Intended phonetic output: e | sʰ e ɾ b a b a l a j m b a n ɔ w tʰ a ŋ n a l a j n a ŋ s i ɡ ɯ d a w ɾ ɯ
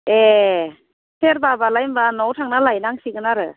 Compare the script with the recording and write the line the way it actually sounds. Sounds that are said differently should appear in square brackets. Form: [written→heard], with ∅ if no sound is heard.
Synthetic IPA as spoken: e | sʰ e ɾ b a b a l a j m b a n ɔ w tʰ a ŋ n a l a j n a ŋ s i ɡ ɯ [d→n] a [w→∅] ɾ ɯ